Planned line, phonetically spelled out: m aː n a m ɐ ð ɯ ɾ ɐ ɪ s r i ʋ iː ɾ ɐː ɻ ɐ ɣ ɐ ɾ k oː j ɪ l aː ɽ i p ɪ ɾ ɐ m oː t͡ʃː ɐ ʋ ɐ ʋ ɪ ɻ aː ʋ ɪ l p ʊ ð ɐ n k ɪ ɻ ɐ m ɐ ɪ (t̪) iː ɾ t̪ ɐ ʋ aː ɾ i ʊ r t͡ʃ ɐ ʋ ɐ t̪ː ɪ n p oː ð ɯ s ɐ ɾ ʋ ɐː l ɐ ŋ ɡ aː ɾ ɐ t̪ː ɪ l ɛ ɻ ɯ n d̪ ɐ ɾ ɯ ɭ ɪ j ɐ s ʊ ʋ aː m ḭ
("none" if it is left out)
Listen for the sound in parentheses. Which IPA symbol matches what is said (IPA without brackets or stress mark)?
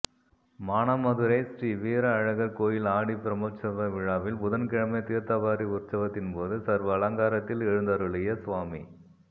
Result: t̪